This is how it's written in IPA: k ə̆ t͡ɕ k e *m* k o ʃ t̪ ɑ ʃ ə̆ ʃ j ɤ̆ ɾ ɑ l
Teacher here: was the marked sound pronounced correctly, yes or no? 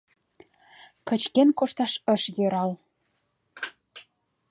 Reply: no